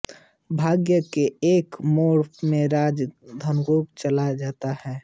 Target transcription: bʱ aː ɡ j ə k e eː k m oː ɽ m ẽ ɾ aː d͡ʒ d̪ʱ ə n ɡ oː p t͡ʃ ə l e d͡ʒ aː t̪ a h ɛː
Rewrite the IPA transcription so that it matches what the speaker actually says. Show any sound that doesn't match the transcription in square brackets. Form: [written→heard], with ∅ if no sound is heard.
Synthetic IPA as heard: bʱ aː ɡ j ə k e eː k m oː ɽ m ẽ ɾ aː d͡ʒ d̪ʱ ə n ɡ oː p t͡ʃ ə l [e→a] d͡ʒ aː t̪ a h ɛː